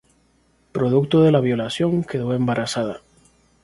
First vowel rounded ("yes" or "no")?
yes